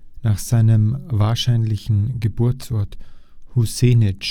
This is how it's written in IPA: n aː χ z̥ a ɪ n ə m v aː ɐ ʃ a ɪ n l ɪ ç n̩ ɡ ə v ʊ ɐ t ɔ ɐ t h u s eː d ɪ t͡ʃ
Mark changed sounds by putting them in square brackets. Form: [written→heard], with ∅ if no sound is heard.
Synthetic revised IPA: n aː χ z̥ a ɪ n ə m v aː ɐ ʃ a ɪ n l ɪ ç n̩ ɡ ə [v→b] ʊ ɐ [t→t͡s] ɔ ɐ t h u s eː [d→n] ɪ t͡ʃ